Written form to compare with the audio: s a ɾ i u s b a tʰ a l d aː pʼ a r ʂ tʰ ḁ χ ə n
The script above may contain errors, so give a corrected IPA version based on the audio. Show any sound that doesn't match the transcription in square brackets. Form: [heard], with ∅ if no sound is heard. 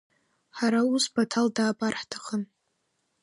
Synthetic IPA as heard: [ħ] a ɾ [a] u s b a tʰ a l d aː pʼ a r [ħ] tʰ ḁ χ ə n